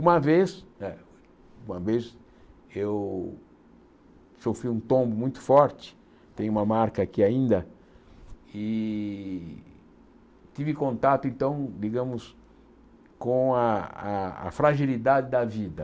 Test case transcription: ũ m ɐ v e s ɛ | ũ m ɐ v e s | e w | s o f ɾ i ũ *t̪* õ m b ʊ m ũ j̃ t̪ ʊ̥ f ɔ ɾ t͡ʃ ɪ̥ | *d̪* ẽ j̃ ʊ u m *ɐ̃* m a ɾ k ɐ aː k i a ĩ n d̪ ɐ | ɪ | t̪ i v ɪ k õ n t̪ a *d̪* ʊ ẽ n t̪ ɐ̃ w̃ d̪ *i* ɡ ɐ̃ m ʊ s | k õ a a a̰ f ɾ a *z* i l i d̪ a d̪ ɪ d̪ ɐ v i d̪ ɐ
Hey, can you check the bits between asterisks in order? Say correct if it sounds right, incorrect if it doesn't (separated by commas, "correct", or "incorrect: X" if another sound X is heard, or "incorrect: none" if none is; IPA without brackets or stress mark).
correct, incorrect: t̪, incorrect: ɐ, incorrect: t̪, correct, incorrect: ʒ